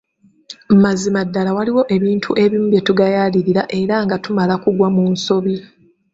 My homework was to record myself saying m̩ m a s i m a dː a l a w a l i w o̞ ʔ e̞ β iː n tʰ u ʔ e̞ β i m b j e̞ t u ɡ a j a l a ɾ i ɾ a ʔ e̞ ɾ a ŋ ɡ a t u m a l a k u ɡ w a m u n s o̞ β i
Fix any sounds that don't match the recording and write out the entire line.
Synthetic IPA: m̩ m a z i m a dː a l a w a l i w o̞ ʔ e̞ β iː n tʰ u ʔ e̞ β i m b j e̞ t u ɡ a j a l i ɾ i ɾ a ʔ e̞ ɾ a ŋ ɡ a t u m a l a k u ɡ w a m u n s o̞ β i